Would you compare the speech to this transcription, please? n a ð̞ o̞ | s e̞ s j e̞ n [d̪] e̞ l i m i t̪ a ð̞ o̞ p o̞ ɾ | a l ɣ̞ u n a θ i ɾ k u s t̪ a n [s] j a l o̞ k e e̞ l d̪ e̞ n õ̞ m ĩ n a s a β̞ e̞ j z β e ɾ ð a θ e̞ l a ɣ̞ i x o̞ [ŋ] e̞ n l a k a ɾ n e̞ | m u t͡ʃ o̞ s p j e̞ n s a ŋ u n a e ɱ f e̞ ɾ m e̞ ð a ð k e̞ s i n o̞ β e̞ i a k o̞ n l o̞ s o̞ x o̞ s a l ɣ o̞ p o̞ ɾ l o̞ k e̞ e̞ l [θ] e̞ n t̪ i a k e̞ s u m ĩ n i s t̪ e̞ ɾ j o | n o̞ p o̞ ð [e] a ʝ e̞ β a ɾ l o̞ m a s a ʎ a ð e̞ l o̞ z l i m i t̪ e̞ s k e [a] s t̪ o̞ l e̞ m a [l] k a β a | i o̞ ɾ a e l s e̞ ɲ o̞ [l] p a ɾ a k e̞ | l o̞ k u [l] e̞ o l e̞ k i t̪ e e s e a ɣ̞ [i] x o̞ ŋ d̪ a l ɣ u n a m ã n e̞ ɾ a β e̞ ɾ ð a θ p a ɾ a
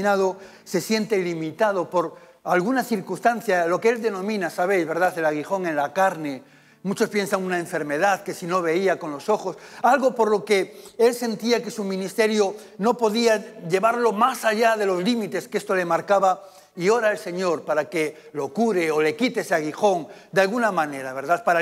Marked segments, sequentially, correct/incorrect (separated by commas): incorrect, incorrect, correct, incorrect, incorrect, incorrect, incorrect, incorrect, incorrect, correct